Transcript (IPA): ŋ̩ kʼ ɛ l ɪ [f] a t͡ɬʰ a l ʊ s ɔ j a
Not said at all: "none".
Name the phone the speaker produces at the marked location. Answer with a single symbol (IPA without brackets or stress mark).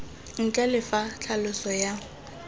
f